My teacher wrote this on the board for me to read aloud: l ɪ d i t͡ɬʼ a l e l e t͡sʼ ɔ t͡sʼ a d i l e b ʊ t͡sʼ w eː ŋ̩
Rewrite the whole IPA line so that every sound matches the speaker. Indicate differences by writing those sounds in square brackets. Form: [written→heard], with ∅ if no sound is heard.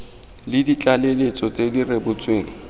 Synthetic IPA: l ɪ d i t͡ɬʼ a l e l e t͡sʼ ɔ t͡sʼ [a→e] d i [l→r] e b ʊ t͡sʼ w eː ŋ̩